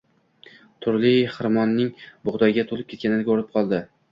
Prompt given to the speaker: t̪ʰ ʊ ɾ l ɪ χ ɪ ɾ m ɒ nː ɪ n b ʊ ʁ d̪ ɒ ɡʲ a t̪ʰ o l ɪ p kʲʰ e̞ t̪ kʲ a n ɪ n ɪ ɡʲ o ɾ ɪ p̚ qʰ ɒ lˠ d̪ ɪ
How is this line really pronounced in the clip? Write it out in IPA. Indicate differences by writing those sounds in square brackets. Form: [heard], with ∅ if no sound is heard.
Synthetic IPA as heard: t̪ʰ ʊ ɾ l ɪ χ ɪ ɾ m ɒ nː ɪ [ŋ] b ʊ ʁ d̪ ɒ ɡʲ a t̪ʰ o l ɪ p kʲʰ e̞ t̪ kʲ a n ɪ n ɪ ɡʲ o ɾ ɪ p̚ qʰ ɒ lˠ d̪ ɪ

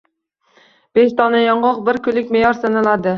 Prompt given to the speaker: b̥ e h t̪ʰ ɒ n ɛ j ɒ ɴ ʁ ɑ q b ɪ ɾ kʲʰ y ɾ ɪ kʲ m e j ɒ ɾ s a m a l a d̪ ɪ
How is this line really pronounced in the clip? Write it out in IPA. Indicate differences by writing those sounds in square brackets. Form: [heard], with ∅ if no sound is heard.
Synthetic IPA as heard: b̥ e [ʃ] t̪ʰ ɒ n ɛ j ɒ ɴ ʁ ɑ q b ɪ ɾ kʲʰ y [l] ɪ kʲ m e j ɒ ɾ s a [n] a l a d̪ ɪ

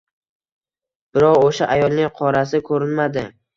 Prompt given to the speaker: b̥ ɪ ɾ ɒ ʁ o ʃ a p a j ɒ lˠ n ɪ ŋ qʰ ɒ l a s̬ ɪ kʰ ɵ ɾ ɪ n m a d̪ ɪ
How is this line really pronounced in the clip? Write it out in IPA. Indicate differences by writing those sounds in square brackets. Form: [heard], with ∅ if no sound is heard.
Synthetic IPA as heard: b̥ ɪ ɾ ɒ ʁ o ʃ a [ʔ] a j ɒ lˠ n ɪ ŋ qʰ ɒ [ɾ] a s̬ ɪ kʰ ɵ ɾ ɪ n m a d̪ ɪ

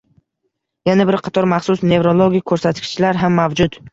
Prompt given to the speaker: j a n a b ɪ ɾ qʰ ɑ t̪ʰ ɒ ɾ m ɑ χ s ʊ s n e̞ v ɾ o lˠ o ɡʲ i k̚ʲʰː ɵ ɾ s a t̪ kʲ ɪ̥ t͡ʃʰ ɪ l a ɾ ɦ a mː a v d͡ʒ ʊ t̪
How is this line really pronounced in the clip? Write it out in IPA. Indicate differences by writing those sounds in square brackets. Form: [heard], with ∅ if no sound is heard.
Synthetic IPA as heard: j a n a b ɪ ɾ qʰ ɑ t̪ʰ ɒ ɾ m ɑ χ s ʊ s n e̞ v ɾ o lˠ o ɡʲ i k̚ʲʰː ɵ ɾ s a t̪ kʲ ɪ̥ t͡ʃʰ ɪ l a ɾ ɦ a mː a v d͡ʒ ʊ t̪

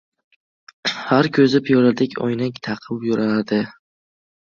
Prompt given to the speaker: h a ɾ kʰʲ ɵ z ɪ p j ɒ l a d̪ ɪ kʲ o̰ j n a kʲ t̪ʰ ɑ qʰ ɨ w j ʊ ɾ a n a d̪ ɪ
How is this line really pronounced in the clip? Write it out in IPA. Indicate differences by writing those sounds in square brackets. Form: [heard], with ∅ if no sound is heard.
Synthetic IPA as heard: h a ɾ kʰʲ ɵ z ɪ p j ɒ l a d̪ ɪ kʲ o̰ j n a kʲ t̪ʰ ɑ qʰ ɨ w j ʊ ɾ a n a d̪ ɪ

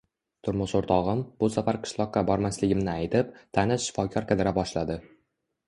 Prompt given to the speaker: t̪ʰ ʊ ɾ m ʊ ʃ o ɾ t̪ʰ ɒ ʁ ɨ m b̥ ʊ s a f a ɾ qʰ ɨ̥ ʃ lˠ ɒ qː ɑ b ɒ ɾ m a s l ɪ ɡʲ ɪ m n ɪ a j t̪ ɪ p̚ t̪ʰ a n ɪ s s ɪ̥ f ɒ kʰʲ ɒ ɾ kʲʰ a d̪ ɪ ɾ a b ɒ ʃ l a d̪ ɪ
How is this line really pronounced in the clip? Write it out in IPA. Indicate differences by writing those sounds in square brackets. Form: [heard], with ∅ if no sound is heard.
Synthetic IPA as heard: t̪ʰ ʊ ɾ m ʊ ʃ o ɾ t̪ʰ ɒ ʁ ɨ m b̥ ʊ s a f a ɾ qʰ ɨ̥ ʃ lˠ ɒ qː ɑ b ɒ ɾ m a s l ɪ ɡʲ ɪ m n ɪ a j t̪ ɪ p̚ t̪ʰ a n ɪ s [ʃ] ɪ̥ f ɒ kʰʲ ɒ ɾ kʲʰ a d̪ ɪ ɾ a b ɒ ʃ l a d̪ ɪ

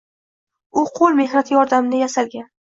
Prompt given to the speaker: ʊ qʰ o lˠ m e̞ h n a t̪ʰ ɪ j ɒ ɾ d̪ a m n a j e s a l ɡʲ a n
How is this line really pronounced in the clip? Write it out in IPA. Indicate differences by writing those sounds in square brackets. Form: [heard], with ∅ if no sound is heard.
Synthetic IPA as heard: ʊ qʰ o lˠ m e̞ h n a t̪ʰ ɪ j ɒ ɾ d̪ a m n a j [a] s a l ɡʲ a n

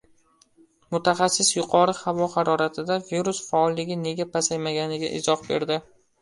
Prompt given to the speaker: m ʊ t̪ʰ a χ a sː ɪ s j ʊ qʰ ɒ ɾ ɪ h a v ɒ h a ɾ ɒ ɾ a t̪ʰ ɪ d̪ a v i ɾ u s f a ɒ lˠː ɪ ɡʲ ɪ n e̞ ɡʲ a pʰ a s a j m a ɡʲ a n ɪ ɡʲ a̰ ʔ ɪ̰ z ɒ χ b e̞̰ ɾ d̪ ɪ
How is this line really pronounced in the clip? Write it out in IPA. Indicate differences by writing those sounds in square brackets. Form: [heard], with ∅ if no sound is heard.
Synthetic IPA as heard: m ʊ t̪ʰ a χ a sː ɪ s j ʊ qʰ ɒ ɾ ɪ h a v ɒ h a ɾ ɒ ɾ a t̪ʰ ɪ d̪ a v i ɾ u s f a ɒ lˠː ɪ ɡʲ ɪ n e̞ ɡʲ a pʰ a s a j m a ɡʲ a n ɪ ɡʲ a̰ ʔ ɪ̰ z ɒ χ b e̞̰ ɾ d̪ ɪ

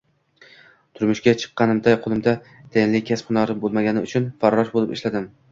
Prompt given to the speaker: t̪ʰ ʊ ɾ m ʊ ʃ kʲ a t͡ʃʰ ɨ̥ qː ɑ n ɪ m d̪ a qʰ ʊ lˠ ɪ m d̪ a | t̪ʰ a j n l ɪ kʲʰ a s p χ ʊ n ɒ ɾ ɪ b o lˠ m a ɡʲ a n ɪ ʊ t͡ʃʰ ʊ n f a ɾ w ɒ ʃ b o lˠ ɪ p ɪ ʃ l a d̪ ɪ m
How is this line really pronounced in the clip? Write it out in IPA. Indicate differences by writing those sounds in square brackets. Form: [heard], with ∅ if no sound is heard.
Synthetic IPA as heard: t̪ʰ ʊ ɾ m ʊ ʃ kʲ a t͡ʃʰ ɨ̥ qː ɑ n ɪ m d̪ a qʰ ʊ lˠ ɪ m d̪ a | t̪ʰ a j n l ɪ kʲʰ a s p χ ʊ n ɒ ɾ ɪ b o lˠ m a ɡʲ a n ɪ ʊ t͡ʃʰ ʊ n f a ɾ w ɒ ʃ b o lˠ ɪ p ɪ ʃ l a d̪ ɪ m

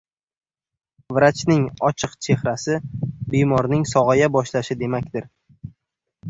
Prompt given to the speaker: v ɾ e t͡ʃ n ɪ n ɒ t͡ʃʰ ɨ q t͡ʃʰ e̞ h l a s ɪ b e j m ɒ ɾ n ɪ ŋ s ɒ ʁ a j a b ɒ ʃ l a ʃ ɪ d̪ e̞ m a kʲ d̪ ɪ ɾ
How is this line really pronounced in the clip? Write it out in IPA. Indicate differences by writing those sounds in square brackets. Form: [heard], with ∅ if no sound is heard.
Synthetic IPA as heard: v ɾ [a] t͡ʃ n ɪ [ŋ] ɒ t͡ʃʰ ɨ q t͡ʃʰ e̞ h [ɾ] a s ɪ b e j m ɒ ɾ n ɪ ŋ s ɒ ʁ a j a b ɒ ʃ l a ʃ ɪ d̪ e̞ m a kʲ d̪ ɪ ɾ

